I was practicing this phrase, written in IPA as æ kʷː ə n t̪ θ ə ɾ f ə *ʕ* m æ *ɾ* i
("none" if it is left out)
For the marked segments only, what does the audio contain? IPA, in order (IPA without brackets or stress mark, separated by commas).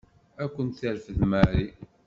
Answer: ð, ɾ